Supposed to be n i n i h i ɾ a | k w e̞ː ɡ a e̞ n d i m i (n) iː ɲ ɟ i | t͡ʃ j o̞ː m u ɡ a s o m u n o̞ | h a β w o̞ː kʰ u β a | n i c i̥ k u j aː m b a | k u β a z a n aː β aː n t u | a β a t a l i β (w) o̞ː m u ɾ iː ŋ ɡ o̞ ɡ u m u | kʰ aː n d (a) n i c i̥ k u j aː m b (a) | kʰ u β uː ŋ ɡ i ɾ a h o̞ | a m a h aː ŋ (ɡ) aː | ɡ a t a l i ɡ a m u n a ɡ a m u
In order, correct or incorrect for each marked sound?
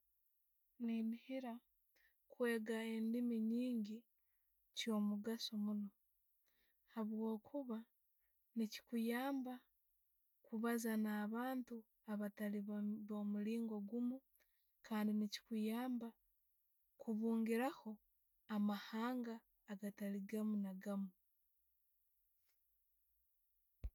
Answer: incorrect: ɲ, incorrect: β, incorrect: i, correct, correct

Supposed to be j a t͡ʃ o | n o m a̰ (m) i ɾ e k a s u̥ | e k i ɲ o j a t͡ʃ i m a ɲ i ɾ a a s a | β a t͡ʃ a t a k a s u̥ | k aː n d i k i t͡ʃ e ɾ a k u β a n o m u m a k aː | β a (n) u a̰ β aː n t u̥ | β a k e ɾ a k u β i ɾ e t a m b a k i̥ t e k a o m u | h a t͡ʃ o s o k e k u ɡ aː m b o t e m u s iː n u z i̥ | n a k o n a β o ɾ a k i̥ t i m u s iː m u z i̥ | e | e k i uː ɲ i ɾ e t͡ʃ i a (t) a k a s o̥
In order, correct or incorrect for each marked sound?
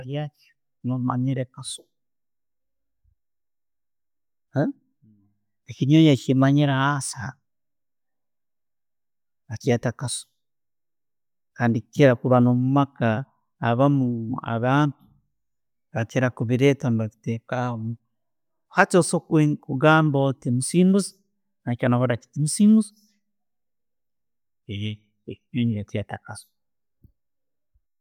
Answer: incorrect: ɲ, incorrect: m, correct

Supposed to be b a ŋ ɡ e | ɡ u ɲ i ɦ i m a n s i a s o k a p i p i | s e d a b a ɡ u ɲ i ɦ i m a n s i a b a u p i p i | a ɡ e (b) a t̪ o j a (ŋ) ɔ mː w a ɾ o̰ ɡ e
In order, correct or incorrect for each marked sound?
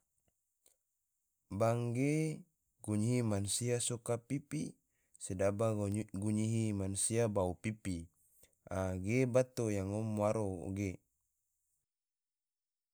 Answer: correct, correct

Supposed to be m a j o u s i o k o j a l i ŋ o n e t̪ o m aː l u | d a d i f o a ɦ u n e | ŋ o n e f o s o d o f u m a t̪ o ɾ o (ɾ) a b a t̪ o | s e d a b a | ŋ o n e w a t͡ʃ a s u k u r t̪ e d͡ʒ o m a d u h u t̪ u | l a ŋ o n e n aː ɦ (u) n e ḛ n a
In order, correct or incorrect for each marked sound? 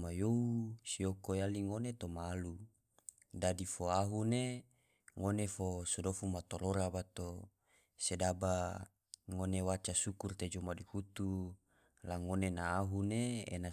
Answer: correct, correct

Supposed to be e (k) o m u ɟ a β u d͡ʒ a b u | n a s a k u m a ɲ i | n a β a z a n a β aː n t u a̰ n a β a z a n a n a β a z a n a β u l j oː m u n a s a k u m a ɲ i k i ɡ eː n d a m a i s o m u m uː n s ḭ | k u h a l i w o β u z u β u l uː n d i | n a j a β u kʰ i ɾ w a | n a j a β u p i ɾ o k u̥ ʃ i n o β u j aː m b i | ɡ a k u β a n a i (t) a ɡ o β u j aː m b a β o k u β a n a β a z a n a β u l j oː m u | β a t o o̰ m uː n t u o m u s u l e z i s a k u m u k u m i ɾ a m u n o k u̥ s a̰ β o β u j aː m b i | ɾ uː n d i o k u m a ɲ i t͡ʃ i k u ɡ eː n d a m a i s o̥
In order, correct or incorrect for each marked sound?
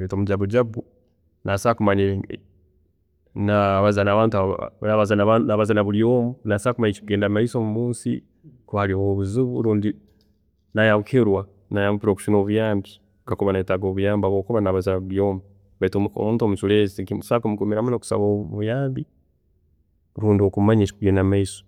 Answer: incorrect: t, correct

